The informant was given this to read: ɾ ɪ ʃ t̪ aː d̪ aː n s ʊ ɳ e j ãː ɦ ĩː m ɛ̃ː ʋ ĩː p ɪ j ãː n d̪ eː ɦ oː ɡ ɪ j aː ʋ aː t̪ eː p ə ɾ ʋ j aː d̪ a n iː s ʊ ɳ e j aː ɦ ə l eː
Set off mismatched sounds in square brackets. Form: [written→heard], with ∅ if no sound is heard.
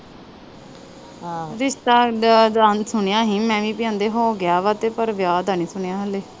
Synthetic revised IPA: ɾ ɪ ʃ t̪ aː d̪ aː n s ʊ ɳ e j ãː ɦ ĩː m ɛ̃ː ʋ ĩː p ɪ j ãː n d̪ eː ɦ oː ɡ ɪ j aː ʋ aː t̪ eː p ə ɾ ʋ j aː d̪ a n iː s ʊ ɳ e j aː ɦ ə l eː

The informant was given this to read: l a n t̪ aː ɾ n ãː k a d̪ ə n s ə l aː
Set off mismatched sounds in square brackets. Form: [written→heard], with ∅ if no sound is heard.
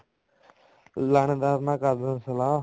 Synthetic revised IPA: l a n [t̪→d̪] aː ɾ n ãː k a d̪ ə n s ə l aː

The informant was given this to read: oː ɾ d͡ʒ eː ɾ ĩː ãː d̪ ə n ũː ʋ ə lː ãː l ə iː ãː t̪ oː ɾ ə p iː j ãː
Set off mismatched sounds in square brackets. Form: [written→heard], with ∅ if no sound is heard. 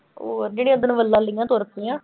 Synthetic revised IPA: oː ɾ d͡ʒ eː [ɾ→ɽ] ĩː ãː d̪ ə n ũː ʋ ə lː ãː l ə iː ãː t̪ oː ɾ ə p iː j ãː

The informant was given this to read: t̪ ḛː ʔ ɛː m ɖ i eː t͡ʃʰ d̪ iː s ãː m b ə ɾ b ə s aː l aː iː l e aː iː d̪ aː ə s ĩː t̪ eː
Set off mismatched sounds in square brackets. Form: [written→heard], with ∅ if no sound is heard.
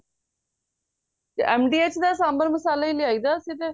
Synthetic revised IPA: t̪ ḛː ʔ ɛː m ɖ [i→iː] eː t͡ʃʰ d̪ [iː→aː] s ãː m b ə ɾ [b→m] ə s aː l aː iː l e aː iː d̪ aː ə s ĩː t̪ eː

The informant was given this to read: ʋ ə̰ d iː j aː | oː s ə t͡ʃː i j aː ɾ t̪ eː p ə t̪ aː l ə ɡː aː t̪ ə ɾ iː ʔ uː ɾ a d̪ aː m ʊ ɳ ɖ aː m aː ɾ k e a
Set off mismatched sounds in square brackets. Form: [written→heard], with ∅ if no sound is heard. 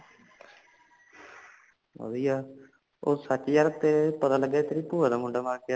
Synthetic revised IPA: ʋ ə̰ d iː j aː | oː s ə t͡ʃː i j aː ɾ t̪ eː p ə t̪ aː l ə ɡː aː t̪ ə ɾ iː [ʔ→p] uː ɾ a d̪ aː m ʊ ɳ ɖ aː m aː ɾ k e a

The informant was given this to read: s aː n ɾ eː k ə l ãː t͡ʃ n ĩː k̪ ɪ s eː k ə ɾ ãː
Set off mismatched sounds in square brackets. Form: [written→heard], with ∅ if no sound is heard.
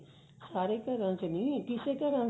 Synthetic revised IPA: s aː [n→∅] ɾ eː k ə [l→ɾ] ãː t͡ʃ n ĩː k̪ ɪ s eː k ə ɾ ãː

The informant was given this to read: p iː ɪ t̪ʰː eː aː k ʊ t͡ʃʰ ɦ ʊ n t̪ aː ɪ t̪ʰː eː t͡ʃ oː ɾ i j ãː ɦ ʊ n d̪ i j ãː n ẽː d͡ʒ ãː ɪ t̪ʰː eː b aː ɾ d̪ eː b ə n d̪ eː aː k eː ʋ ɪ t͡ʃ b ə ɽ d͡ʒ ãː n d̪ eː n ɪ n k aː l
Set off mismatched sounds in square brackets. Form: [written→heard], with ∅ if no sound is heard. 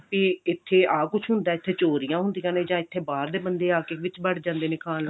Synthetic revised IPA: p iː ɪ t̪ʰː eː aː k ʊ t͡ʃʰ ɦ ʊ n [t̪→d̪] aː ɪ t̪ʰː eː t͡ʃ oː ɾ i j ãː ɦ ʊ n d̪ i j ãː n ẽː d͡ʒ ãː ɪ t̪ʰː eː b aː ɾ d̪ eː b ə n d̪ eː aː k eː ʋ ɪ t͡ʃ b ə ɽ d͡ʒ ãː n d̪ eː n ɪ [n→∅] k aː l

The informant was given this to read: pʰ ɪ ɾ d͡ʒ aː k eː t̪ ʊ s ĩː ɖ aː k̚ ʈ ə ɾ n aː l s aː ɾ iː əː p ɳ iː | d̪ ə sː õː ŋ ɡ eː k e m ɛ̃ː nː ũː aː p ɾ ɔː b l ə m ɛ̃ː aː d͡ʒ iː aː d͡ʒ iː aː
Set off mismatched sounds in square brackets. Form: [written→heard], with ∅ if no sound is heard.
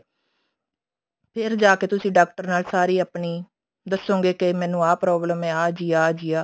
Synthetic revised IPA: pʰ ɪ ɾ d͡ʒ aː k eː t̪ ʊ s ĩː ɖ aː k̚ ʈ ə ɾ n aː l s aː ɾ iː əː p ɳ iː | d̪ ə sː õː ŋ ɡ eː k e m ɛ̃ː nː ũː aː p ɾ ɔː b l ə m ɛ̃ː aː d͡ʒ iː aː d͡ʒ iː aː

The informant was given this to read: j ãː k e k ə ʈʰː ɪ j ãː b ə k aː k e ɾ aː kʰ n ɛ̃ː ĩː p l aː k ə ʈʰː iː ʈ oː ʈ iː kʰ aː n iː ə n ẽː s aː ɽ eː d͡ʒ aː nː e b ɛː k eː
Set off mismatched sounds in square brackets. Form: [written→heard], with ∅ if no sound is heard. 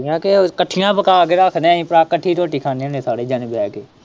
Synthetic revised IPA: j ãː k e k ə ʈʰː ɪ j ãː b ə k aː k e ɾ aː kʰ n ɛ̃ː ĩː p [l→ɾ] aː k ə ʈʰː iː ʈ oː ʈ iː kʰ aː n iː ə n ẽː s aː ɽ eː d͡ʒ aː [nː→n] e b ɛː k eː

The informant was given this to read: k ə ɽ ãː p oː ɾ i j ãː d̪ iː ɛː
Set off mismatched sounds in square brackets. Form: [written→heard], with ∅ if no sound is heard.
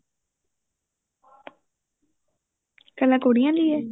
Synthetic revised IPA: k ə [ɽ→l] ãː [p→k] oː [ɾ→ɽ] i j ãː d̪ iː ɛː

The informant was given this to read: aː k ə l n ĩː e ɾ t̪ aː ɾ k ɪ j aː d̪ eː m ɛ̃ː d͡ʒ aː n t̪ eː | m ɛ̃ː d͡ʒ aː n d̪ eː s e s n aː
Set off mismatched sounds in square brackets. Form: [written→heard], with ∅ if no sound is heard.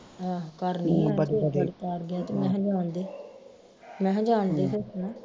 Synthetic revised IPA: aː k ə [l→ɾ] n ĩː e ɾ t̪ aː ɾ [k→ɡ] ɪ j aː [d̪→t̪] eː m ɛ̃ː d͡ʒ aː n [t̪→d̪] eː | m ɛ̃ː d͡ʒ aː n d̪ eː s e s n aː

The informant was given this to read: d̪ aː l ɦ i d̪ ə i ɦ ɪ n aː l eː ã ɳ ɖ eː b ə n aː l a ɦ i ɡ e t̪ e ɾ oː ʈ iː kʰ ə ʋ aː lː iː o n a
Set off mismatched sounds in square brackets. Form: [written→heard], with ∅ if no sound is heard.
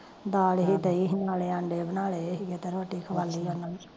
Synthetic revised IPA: d̪ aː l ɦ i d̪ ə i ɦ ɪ n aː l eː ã ɳ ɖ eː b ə n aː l [a→e] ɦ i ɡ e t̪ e ɾ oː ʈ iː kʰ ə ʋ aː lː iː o n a

